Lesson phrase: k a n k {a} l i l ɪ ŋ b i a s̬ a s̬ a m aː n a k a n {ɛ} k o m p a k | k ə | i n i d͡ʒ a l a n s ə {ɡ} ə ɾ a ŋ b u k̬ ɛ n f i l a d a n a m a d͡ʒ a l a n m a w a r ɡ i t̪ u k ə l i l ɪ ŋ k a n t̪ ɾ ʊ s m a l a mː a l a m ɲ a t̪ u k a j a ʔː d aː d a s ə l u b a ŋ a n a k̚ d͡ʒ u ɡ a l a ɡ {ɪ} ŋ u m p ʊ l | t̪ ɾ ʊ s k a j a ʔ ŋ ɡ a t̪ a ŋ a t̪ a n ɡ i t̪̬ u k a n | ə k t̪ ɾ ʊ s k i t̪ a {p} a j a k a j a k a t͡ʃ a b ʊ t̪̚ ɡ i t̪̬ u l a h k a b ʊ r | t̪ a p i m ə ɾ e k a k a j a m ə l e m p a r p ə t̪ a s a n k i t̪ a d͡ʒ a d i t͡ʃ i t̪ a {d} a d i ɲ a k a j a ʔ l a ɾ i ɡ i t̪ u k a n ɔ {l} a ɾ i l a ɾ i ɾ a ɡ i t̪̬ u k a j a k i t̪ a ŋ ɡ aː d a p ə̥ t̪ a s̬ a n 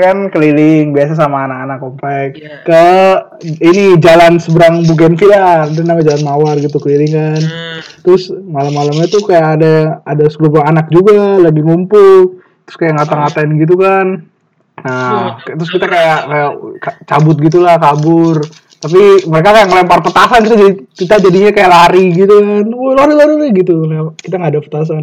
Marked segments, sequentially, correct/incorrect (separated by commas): incorrect, incorrect, incorrect, incorrect, incorrect, incorrect, correct